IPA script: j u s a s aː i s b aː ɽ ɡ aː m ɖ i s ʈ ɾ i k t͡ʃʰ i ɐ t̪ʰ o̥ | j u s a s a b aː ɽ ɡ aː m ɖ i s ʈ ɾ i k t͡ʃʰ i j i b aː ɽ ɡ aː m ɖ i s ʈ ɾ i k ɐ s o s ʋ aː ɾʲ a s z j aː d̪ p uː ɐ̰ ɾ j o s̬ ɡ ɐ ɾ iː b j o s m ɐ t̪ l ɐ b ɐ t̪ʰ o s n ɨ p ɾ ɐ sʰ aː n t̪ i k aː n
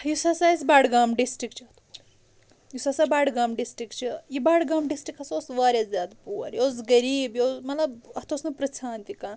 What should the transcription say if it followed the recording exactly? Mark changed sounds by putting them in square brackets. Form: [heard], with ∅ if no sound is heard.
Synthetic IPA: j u s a s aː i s b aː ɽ ɡ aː m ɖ i s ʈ ɾ i k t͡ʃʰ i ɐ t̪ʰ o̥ | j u s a s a b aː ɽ ɡ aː m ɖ i s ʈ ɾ i k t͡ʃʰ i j i b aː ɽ ɡ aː m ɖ i s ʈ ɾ i k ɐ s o s ʋ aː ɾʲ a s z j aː d̪ p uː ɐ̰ ɾ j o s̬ ɡ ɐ ɾ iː b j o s m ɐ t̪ l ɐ b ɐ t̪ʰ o s n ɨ p ɾ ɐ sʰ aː n t̪ i k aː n